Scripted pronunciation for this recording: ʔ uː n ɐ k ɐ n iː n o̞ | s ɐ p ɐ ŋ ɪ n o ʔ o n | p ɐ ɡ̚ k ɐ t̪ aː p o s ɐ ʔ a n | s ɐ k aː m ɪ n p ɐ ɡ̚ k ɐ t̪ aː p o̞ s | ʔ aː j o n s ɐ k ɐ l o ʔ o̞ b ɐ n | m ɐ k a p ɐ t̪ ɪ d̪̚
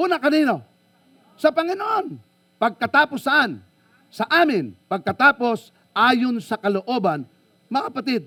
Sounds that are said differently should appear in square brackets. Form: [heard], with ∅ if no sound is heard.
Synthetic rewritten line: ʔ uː n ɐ k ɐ n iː n o̞ | s ɐ p ɐ ŋ ɪ n o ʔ o n | p ɐ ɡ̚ k ɐ t̪ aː p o s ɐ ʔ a n | s ɐ [ʔ] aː m ɪ n p ɐ ɡ̚ k ɐ t̪ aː p o̞ s | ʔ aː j o n s ɐ k ɐ l o ʔ o̞ b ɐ n | m ɐ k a p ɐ t̪ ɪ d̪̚